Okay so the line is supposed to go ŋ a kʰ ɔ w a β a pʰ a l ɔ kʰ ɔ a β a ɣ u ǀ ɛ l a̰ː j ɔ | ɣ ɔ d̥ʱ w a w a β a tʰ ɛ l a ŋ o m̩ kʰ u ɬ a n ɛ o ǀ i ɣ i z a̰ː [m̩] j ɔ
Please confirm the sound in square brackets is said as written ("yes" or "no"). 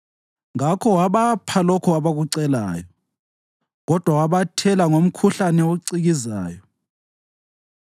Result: no